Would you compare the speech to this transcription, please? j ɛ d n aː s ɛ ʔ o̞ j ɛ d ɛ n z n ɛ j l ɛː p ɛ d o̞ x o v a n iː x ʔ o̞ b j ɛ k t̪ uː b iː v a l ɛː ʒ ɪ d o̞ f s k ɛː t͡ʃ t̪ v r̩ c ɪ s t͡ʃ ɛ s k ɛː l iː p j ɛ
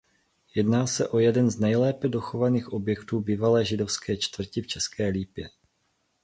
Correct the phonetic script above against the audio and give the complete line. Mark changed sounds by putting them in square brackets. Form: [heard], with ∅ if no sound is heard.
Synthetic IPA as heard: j ɛ d n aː s ɛ ʔ o̞ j ɛ d ɛ n z n ɛ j l ɛː p ɛ d o̞ x o v a n iː x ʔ o̞ b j ɛ k t̪ uː b iː v a l ɛː ʒ ɪ d o̞ f s k ɛː t͡ʃ t̪ v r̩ c ɪ [f] t͡ʃ ɛ s k ɛː l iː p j ɛ

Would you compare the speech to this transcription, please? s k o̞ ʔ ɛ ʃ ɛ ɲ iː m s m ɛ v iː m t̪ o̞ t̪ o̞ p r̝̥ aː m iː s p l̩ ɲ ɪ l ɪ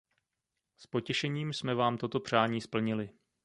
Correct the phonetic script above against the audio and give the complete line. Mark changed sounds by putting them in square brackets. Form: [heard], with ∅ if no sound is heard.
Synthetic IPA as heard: s [p] o̞ [c] ɛ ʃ ɛ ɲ iː m s m ɛ v [aː] m t̪ o̞ t̪ o̞ p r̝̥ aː [ɲ] iː s p l̩ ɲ ɪ l ɪ

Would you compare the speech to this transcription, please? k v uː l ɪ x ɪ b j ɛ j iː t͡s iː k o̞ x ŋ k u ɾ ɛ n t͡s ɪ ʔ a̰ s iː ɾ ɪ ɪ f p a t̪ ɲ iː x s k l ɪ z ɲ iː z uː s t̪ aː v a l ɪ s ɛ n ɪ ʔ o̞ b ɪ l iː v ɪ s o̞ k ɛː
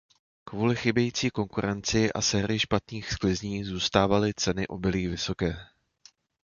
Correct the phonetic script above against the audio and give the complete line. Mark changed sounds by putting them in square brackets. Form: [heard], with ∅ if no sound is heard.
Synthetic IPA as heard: k v uː l ɪ x ɪ b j ɛ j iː t͡s iː k o̞ [∅] ŋ k u ɾ ɛ n t͡s ɪ ʔ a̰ s [ɛː] ɾ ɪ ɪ [ʃ] p a t̪ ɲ iː x s k l ɪ z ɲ iː z uː s t̪ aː v a l ɪ [t͡s] ɛ n ɪ ʔ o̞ b ɪ l iː v ɪ s o̞ k ɛː

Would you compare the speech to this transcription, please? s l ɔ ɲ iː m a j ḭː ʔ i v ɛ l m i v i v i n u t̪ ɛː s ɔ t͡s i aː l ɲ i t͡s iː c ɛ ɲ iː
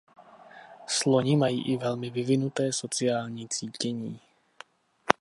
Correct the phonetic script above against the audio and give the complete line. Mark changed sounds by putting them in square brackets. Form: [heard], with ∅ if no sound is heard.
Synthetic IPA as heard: s l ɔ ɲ [i] m a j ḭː ʔ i v ɛ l m i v i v i n u t̪ ɛː s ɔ t͡s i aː l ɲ i t͡s iː c ɛ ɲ iː

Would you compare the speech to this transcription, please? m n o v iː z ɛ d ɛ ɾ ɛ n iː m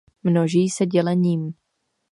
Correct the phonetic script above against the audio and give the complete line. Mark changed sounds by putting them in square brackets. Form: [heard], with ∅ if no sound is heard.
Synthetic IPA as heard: m n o [ʒ] iː [s] ɛ [ɟ] ɛ [l] ɛ [ɲ] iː m

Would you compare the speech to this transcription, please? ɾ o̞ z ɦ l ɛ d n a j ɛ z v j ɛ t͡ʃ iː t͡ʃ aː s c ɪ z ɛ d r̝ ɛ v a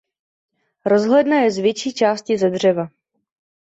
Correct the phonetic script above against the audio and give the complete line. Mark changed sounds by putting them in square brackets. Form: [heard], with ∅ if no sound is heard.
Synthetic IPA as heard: ɾ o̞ z ɦ l ɛ d n a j ɛ z v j ɛ t͡ʃ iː t͡ʃ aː s c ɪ z ɛ d r̝ ɛ v a

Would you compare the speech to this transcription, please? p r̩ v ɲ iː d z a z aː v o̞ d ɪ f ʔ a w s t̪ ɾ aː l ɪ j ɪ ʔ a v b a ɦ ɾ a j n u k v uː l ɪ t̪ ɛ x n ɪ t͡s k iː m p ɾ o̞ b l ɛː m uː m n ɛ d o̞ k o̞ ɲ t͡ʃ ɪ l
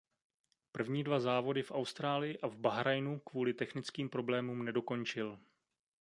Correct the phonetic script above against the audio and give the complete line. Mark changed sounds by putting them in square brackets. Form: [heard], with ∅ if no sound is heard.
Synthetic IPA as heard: p r̩ v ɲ iː d [v] a z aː v o̞ d ɪ f ʔ a w s t̪ ɾ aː l ɪ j ɪ ʔ a v b a ɦ ɾ a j n u k v uː l ɪ t̪ ɛ x n ɪ t͡s k iː m p ɾ o̞ b l ɛː m uː m n ɛ d o̞ k o̞ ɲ t͡ʃ ɪ l

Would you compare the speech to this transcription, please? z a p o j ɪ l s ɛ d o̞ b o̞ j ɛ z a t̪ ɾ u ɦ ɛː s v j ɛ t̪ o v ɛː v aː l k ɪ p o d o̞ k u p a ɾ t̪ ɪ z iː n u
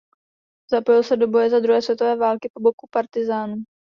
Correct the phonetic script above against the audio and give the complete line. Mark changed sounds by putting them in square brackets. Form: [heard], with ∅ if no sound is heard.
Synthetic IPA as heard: z a p o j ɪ l s ɛ d o̞ b o̞ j ɛ z a [d̪] ɾ u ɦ ɛː s v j ɛ t̪ o v ɛː v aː l k ɪ p o [b] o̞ k u p a ɾ t̪ ɪ z [aː] n u

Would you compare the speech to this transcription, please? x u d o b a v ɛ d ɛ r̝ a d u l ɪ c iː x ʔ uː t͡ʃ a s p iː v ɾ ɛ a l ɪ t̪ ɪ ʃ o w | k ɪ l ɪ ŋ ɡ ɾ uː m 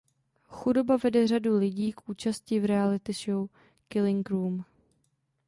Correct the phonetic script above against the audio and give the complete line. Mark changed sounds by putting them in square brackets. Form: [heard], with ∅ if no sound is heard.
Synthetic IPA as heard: x u d o b a v ɛ d ɛ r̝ a d u l ɪ [ɟ] iː [k] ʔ uː t͡ʃ a s [c] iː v ɾ ɛ a l ɪ t̪ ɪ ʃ o w | k ɪ l ɪ ŋ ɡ ɾ uː m

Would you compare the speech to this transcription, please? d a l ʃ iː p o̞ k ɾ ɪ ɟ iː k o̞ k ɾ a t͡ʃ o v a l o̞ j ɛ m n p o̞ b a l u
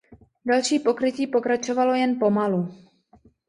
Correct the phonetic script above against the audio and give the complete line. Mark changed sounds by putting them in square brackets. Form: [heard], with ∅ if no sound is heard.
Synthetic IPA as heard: d a l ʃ iː p o̞ k ɾ ɪ [c] iː [p] o̞ k ɾ a t͡ʃ o v a l o̞ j ɛ [∅] n p o̞ [m] a l u

